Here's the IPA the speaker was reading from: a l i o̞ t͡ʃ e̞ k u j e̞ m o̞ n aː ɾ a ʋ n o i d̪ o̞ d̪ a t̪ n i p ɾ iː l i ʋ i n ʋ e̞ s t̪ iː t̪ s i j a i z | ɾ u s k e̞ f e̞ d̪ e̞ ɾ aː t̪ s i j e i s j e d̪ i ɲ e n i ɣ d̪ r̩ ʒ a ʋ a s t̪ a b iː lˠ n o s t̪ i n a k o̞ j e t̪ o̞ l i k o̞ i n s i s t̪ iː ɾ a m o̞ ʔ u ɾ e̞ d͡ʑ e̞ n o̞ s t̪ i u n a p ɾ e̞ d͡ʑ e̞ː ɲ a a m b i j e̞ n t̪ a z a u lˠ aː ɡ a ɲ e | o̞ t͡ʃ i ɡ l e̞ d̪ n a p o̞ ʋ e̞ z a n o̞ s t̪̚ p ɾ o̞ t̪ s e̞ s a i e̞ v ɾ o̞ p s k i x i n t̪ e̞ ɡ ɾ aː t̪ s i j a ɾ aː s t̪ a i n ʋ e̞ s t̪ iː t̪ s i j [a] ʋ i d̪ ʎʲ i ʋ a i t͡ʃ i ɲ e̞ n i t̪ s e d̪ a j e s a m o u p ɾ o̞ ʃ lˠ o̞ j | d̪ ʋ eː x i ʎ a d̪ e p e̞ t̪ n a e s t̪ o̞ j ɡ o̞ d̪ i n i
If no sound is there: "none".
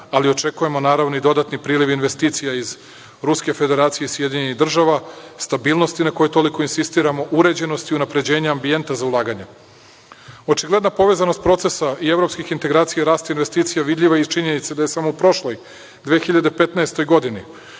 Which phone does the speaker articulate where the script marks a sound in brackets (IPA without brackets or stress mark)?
a